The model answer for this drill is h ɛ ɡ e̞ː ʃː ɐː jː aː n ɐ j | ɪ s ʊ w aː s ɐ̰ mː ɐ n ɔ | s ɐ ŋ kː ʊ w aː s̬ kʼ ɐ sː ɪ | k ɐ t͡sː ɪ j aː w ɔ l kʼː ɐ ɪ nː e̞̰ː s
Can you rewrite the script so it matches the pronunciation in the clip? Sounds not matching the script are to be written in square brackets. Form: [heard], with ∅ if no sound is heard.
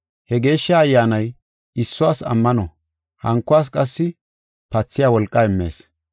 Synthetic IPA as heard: h ɛ ɡ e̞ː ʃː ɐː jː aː n ɐ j | ɪ [sː] ʊ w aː s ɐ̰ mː ɐ n ɔ | [h] ɐ ŋ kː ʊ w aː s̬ kʼ ɐ sː ɪ | [p] ɐ t͡sː ɪ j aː w ɔ l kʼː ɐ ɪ [mː] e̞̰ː s